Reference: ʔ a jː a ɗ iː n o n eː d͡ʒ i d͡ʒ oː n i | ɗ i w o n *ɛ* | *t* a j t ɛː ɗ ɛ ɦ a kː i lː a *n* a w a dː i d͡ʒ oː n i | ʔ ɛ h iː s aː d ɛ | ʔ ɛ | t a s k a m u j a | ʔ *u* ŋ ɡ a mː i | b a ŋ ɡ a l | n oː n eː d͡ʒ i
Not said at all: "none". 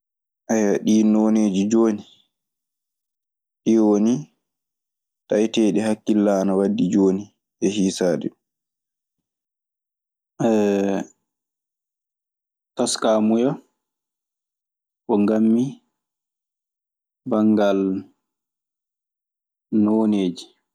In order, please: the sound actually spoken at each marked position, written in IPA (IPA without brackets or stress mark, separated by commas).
i, t, n, ɔ